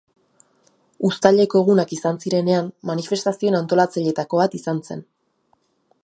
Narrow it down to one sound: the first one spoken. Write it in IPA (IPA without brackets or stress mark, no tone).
u